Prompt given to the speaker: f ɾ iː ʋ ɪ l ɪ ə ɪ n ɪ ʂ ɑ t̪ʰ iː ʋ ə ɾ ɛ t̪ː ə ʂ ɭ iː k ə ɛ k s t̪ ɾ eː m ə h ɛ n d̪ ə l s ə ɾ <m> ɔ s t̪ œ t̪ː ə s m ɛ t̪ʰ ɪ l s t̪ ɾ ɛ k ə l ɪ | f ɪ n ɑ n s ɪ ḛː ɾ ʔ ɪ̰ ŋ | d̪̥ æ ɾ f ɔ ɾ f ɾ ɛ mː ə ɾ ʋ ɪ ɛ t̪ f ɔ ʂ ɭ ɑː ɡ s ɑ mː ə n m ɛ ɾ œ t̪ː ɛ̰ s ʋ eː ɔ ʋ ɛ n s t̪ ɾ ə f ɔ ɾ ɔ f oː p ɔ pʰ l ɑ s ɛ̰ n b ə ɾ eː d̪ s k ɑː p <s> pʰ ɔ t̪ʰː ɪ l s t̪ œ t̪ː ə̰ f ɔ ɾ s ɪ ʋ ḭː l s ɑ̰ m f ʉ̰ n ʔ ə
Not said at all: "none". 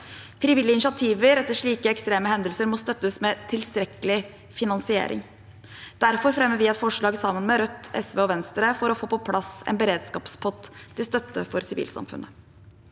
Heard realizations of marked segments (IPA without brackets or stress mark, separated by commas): m, s